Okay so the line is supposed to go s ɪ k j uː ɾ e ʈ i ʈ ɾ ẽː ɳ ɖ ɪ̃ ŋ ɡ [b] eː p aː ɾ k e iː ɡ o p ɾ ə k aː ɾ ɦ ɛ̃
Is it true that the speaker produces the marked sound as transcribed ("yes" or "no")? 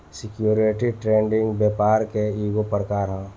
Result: yes